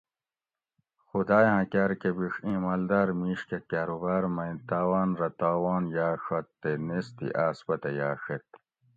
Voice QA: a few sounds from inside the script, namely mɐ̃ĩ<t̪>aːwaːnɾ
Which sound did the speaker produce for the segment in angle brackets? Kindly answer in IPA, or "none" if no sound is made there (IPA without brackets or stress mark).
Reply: t̪